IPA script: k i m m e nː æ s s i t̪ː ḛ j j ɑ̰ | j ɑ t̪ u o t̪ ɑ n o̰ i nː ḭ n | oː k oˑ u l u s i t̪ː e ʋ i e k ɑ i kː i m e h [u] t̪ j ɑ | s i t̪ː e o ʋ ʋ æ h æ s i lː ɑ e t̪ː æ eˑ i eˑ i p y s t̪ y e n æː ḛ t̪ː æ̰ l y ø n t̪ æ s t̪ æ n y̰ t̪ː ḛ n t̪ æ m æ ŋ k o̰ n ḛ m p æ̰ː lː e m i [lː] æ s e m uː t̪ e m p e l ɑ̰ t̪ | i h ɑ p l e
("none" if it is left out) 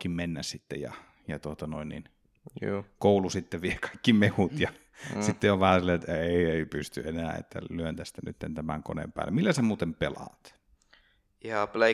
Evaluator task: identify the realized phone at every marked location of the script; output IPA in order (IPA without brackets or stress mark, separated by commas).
u, lː